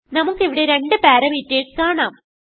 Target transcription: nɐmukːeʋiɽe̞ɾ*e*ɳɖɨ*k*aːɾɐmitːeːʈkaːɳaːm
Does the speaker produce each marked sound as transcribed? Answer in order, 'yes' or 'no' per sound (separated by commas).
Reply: yes, no